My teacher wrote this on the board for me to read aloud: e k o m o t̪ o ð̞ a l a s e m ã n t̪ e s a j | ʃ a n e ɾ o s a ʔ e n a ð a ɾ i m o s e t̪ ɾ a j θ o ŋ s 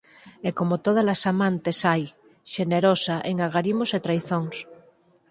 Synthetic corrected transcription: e k o m o t̪ o ð̞ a l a s a m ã n t̪ e s a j | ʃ e n e ɾ o s a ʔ e ŋ a ɣ a ɾ i m o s e t̪ ɾ a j θ o ŋ s